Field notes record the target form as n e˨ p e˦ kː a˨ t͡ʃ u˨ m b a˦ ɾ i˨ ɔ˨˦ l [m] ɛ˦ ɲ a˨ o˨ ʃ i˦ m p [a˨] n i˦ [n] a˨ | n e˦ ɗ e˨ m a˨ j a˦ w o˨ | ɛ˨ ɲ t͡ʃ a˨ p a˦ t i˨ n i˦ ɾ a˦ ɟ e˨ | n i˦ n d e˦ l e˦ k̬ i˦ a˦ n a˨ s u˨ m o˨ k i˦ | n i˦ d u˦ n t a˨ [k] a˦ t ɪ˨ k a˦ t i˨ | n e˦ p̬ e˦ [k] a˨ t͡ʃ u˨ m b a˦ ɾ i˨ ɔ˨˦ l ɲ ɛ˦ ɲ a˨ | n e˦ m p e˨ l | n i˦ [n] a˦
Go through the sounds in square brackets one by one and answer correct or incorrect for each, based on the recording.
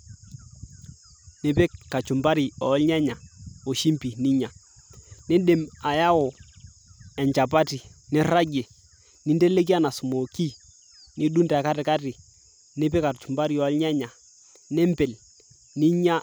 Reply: incorrect: ɲ, incorrect: i˨, incorrect: ɲ, correct, correct, incorrect: ɲ

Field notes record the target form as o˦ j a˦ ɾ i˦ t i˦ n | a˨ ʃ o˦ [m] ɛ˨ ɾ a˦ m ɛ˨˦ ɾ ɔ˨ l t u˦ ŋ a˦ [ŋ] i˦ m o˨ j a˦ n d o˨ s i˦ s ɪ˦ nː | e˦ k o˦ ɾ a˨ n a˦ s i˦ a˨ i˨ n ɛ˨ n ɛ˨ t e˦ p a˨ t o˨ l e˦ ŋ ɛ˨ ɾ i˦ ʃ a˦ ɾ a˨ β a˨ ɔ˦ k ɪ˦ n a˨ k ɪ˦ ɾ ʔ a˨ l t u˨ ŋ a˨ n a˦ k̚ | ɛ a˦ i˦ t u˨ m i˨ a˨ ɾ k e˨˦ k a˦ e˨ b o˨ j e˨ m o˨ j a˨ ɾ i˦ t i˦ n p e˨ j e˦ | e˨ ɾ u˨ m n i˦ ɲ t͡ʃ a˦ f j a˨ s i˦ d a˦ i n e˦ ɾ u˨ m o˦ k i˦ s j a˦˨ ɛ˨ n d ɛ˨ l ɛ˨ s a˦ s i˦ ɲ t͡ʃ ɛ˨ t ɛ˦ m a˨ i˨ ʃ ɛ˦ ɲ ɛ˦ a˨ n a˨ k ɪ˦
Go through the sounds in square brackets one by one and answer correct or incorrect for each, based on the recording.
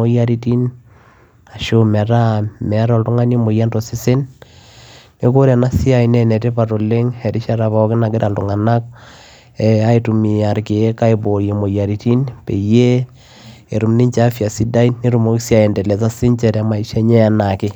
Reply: correct, incorrect: n

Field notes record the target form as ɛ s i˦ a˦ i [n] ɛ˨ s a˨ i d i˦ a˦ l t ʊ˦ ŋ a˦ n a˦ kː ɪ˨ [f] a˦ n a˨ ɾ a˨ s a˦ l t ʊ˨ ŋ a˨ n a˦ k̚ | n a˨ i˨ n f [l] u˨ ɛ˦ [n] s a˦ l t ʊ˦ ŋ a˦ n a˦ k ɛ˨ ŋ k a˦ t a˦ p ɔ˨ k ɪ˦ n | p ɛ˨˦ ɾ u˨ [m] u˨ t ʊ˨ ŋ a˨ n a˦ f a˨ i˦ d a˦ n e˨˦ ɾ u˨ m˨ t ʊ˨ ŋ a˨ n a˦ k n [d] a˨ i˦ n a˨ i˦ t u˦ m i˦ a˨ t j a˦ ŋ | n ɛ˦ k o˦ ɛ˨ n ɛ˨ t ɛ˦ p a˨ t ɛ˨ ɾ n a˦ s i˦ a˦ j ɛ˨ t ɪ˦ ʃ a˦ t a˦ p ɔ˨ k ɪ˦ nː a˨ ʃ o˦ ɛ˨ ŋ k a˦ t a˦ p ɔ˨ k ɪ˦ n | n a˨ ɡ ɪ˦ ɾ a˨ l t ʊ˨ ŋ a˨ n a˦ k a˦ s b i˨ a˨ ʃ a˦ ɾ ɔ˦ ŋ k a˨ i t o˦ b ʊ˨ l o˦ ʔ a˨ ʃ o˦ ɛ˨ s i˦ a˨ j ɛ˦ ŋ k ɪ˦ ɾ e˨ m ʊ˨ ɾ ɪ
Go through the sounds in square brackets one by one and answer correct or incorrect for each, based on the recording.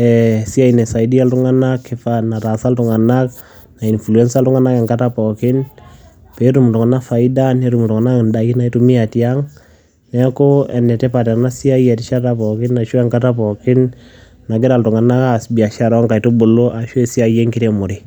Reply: correct, correct, correct, correct, correct, correct

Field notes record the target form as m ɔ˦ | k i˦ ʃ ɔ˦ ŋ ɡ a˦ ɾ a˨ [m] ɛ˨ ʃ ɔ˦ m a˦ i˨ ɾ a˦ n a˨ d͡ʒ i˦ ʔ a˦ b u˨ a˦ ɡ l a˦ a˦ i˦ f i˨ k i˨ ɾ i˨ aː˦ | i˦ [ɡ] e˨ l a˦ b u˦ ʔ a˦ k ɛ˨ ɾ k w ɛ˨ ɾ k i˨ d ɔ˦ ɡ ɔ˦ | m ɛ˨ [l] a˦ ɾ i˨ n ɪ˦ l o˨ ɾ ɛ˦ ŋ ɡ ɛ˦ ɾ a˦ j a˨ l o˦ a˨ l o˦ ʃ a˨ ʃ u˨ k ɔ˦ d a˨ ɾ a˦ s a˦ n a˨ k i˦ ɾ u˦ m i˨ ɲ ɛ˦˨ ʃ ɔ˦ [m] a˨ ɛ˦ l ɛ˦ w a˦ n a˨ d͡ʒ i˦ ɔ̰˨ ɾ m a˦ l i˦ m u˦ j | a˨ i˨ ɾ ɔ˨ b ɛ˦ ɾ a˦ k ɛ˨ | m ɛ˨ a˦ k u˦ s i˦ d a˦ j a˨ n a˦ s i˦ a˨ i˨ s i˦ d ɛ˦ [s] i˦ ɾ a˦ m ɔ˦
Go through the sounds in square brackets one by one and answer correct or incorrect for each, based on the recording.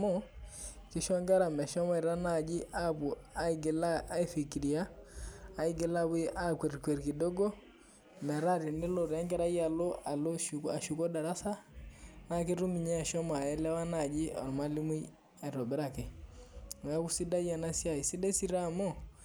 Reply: correct, correct, incorrect: ɾ, correct, correct

